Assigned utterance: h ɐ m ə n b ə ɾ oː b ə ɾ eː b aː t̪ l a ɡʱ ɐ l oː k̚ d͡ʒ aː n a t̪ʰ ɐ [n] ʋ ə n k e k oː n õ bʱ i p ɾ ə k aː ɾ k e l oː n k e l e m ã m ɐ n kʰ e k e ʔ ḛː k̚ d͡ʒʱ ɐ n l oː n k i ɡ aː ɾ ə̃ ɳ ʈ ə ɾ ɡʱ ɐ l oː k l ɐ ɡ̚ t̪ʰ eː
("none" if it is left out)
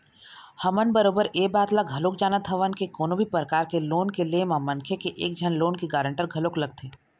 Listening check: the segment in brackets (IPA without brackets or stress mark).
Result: none